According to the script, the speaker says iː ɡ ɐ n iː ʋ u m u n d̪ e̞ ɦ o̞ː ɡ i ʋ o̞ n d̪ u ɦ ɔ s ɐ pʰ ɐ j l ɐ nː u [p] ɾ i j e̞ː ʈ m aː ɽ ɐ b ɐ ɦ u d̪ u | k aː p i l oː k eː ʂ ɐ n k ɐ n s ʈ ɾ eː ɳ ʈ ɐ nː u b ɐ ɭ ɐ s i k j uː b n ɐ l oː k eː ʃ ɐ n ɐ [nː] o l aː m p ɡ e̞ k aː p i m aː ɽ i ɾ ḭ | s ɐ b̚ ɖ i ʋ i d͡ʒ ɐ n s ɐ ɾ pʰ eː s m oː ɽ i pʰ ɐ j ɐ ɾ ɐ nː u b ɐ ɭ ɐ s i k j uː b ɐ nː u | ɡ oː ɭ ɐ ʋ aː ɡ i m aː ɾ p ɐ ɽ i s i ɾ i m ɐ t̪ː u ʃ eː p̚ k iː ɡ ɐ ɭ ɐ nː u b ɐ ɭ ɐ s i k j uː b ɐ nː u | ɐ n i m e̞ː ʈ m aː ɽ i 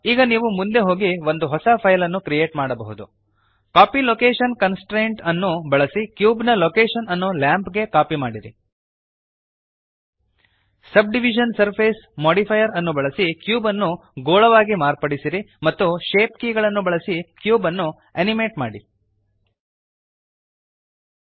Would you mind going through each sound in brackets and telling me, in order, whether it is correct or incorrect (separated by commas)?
incorrect, correct